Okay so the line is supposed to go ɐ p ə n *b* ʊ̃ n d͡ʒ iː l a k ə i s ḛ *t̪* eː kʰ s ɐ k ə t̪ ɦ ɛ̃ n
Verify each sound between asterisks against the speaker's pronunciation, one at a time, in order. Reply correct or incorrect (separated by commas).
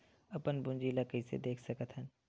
correct, incorrect